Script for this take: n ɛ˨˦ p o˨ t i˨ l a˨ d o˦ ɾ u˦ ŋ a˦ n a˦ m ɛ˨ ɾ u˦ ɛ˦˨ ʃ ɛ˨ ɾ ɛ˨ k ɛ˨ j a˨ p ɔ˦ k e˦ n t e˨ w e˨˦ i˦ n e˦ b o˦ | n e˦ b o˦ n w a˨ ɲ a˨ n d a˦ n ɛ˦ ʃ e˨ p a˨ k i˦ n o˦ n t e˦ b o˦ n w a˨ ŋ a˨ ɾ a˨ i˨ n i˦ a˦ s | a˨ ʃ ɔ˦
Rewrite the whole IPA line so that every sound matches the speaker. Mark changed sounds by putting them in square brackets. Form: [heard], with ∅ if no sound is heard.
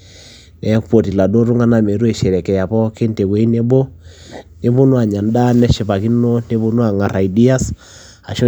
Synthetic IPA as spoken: n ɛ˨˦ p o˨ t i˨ l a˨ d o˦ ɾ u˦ ŋ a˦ n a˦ m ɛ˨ ɾ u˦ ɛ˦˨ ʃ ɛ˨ ɾ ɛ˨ k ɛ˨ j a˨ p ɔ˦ k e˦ n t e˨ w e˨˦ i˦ n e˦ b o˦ | n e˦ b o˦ n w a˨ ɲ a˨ n d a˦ n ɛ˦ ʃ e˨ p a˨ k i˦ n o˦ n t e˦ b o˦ n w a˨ ŋ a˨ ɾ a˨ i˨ [d] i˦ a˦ s | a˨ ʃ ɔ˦